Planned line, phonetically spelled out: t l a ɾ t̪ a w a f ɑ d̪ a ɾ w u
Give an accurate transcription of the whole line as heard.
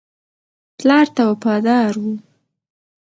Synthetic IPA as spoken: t l ɑ ɾ t̪ a w a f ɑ d̪ ɑ ɾ w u